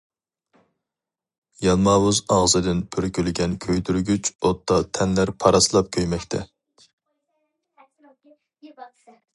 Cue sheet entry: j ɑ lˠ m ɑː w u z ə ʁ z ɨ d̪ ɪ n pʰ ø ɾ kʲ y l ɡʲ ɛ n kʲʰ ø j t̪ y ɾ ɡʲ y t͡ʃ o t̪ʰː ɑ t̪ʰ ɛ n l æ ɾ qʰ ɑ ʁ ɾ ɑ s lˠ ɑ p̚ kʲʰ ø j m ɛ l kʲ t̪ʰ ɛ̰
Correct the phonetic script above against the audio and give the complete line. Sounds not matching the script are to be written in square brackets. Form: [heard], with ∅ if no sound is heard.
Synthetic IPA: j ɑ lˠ m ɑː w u z [ɑ] ʁ z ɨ d̪ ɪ n pʰ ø ɾ kʲ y l ɡʲ ɛ n kʲʰ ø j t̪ y ɾ ɡʲ y t͡ʃ o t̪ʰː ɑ t̪ʰ ɛ n l æ ɾ [pʰ] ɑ [∅] ɾ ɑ s lˠ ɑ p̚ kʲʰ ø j m ɛ [∅] kʲ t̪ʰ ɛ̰